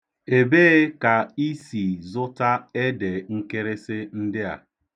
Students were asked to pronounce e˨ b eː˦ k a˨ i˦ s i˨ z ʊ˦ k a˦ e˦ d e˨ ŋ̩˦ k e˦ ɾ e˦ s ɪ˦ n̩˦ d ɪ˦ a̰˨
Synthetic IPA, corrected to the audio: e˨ b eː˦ k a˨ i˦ s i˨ z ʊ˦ t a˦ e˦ d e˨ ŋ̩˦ k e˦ ɾ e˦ s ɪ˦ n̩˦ d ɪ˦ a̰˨